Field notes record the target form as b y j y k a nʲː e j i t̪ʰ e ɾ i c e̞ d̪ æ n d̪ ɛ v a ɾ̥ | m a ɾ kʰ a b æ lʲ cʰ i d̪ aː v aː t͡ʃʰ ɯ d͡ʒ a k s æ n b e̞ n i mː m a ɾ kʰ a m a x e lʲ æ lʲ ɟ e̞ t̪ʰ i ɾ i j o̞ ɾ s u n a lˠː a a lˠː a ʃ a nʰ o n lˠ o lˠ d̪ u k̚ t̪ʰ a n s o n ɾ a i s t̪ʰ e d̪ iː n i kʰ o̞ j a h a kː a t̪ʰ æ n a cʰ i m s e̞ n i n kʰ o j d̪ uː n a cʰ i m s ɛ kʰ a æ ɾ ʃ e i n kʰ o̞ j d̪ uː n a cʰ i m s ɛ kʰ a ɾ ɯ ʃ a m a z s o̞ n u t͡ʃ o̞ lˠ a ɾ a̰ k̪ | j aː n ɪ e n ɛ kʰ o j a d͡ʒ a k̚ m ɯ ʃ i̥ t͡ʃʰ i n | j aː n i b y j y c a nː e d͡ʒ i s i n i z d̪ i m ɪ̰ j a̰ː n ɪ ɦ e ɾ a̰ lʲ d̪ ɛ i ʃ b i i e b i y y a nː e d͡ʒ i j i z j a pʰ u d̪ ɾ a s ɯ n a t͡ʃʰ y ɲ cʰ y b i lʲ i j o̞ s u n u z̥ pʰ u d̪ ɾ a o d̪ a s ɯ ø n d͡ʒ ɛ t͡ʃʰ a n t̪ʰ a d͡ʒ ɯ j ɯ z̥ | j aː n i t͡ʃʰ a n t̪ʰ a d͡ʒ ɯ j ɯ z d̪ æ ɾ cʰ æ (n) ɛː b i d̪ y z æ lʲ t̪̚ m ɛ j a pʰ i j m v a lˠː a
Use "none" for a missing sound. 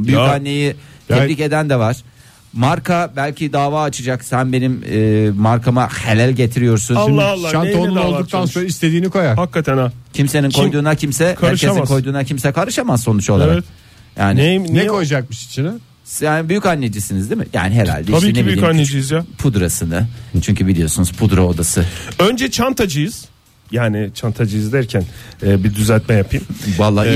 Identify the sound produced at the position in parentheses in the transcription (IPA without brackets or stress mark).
n